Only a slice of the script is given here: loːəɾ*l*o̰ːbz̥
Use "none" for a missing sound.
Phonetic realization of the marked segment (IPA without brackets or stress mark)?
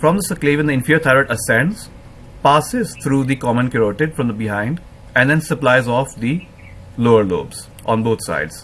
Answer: l